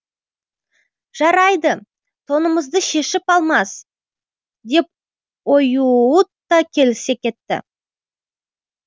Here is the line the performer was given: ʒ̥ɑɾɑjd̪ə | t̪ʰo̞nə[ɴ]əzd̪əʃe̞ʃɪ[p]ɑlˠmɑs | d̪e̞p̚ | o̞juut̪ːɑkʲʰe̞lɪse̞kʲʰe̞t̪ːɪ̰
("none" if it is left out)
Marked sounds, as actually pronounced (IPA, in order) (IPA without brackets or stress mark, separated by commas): m, p